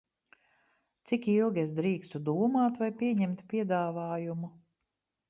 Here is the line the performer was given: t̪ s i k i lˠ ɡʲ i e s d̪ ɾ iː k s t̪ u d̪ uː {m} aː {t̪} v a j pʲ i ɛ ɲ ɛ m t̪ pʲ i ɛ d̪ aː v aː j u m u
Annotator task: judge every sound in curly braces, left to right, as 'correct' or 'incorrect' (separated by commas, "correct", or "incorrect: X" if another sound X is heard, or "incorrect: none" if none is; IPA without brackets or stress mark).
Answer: correct, correct